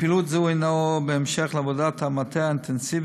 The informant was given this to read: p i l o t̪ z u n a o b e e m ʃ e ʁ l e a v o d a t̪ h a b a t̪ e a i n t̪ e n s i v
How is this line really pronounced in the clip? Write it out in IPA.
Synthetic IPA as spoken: p i l u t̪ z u n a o b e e m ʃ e χ l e a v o d a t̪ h a m a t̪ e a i n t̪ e n s i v